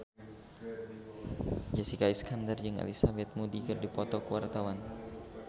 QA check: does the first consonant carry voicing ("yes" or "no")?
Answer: yes